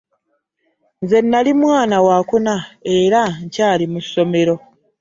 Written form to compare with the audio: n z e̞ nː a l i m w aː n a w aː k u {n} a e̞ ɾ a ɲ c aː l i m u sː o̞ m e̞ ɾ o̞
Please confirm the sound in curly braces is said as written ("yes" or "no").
yes